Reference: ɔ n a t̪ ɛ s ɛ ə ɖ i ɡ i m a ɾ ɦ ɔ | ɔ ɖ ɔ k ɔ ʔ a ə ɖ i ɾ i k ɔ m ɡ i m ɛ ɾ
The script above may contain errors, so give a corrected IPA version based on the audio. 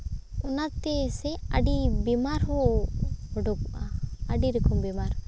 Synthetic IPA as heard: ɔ n a t̪ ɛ s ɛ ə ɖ i b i m a ɾ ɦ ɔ | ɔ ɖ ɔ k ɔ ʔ a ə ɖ i ɾ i k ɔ m b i m a ɾ